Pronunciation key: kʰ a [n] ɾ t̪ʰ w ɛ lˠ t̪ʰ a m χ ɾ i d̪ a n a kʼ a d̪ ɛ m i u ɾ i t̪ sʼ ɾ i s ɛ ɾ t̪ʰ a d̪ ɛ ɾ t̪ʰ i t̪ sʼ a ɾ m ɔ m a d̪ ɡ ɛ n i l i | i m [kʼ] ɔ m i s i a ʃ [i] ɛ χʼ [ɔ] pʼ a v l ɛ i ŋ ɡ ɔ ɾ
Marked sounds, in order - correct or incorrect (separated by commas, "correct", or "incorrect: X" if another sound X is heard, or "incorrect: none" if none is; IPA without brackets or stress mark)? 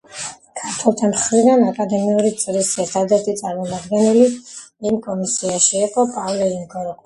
incorrect: none, correct, correct, correct